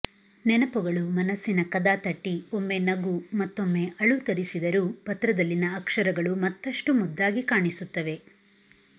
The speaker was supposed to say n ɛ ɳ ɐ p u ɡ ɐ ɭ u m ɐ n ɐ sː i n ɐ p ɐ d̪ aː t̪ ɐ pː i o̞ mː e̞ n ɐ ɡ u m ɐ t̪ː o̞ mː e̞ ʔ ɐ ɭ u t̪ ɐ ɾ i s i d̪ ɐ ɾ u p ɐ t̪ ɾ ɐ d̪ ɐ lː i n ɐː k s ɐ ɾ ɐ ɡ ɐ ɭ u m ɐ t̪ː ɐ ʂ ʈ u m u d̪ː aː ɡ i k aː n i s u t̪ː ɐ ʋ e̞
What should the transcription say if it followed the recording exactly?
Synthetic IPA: n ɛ n ɐ p u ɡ ɐ ɭ u m ɐ n ɐ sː i n ɐ k ɐ d̪ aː t̪ ɐ ʈː i o̞ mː e̞ n ɐ ɡ u m ɐ t̪ː o̞ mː e̞ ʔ ɐ ɭ u t̪ ɐ ɾ i s i d̪ ɐ ɾ u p ɐ t̪ ɾ ɐ d̪ ɐ lː i n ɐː k ʂ ɐ ɾ ɐ ɡ ɐ ɭ u m ɐ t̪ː ɐ ʂ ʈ u m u d̪ː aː ɡ i k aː ɳ i s u t̪ː ɐ ʋ e̞

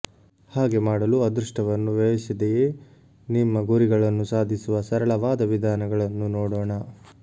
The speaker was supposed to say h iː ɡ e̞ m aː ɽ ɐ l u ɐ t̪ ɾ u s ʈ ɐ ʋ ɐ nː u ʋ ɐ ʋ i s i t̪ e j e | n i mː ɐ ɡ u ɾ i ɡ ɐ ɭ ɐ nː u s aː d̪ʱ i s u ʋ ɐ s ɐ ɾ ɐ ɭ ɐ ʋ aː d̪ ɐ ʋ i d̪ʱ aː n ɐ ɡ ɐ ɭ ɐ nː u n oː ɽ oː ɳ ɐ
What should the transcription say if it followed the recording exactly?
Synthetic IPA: h aː ɡ e̞ m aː ɽ ɐ l u ɐ d̪ ɾ u ʂ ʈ ɐ ʋ ɐ nː u ʋ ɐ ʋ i s i d̪ e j e | n i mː ɐ ɡ u ɾ i ɡ ɐ ɭ ɐ nː u s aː d̪ʱ i s u ʋ ɐ s ɐ ɾ ɐ ɭ ɐ ʋ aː d̪ ɐ ʋ i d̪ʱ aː n ɐ ɡ ɐ ɭ ɐ nː u n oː ɽ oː ɳ ɐ

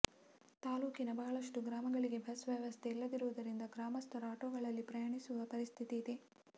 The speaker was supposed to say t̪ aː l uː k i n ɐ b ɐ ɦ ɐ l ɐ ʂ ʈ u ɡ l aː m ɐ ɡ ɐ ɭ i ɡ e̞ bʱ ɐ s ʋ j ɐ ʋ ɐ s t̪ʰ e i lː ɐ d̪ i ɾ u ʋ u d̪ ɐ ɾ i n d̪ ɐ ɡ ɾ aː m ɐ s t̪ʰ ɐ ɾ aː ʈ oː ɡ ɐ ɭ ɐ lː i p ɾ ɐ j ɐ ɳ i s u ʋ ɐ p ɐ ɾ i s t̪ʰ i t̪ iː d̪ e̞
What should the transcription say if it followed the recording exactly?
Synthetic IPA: t̪ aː l uː k i n ɐ b ɐ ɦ ɐ ɭ ɐ ʂ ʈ u ɡ ɾ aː m ɐ ɡ ɐ ɭ i ɡ e̞ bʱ ɐ s ʋ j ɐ ʋ ɐ s t̪ʰ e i lː ɐ d̪ i ɾ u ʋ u d̪ ɐ ɾ i n d̪ ɐ ɡ ɾ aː m ɐ s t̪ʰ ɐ ɾ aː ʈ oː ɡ ɐ ɭ ɐ lː i p ɾ ɐ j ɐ ɳ i s u ʋ ɐ p ɐ ɾ i s t̪ʰ i t̪ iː d̪ e̞

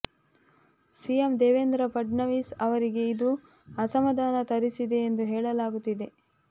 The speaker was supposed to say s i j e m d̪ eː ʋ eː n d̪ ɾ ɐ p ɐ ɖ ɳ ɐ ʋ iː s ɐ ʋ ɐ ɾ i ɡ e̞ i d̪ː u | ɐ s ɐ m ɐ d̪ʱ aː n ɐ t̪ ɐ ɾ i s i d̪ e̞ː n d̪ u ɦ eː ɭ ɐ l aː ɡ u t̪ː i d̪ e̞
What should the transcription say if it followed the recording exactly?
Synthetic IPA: s i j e m d̪ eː ʋ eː n d̪ ɾ ɐ p ɐ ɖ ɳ ɐ ʋ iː s ɐ ʋ ɐ ɾ i ɡ e̞ i d̪ u | ɐ s ɐ m ɐ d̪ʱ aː n ɐ t̪ ɐ ɾ i s i d̪ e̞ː n d̪ u ɦ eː ɭ ɐ l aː ɡ u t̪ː i d̪ e̞

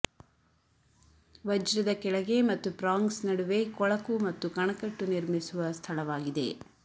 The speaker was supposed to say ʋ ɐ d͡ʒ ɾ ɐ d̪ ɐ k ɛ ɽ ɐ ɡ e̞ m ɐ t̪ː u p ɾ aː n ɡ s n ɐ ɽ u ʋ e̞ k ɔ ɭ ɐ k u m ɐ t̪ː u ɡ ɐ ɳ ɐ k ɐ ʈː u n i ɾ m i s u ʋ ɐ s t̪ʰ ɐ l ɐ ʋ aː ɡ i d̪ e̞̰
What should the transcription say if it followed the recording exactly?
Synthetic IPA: ʋ ɐ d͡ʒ ɾ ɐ d̪ ɐ k ɛ ɭ ɐ ɡ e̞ m ɐ t̪ː u p ɾ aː ŋ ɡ s n ɐ ɽ u ʋ e̞ k ɔ ɭ ɐ k u m ɐ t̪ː u k ɐ ɳ ɐ k ɐ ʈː u n i ɾ m i s u ʋ ɐ s t̪ʰ ɐ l ɐ ʋ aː ɡ i d̪ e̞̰

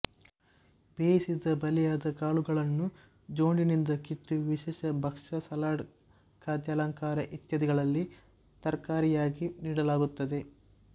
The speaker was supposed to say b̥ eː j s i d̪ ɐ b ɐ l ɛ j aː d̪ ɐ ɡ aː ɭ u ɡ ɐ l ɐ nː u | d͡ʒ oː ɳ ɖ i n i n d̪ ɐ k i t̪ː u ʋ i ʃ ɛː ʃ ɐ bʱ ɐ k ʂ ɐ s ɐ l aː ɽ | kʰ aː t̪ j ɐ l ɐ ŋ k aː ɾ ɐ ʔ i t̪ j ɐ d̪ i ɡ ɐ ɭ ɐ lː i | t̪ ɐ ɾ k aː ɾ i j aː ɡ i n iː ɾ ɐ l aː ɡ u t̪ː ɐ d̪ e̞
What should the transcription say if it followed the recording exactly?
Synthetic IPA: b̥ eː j s i d̪ ɐ b ɐ l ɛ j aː d̪ ɐ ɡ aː ɭ u ɡ ɐ ɭ ɐ nː u | d͡ʒ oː ɳ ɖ i n i n d̪ ɐ k i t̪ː u ʋ i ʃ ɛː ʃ ɐ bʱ ɐ k ʂ ɐ s ɐ l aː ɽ | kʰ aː d̪ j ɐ l ɐ ŋ k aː ɾ ɐ ʔ i t̪ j ɐ d̪ i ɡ ɐ ɭ ɐ lː i | t̪ ɐ ɾ k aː ɾ i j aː ɡ i n iː ɽ ɐ l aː ɡ u t̪ː ɐ d̪ e̞

